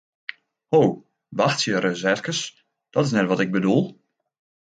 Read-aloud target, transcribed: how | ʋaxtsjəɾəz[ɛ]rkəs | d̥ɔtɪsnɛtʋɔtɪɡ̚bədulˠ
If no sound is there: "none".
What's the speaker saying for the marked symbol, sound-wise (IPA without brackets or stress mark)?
ɛ